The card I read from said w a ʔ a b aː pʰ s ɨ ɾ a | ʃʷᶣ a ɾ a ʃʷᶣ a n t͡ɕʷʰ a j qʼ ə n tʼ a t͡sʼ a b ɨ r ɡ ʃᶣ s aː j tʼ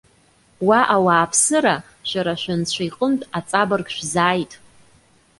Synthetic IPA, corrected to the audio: w a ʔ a w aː pʰ s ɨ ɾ a | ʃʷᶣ a ɾ a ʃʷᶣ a n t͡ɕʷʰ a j qʼ ə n tʼ a t͡sʼ a b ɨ r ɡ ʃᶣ z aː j tʼ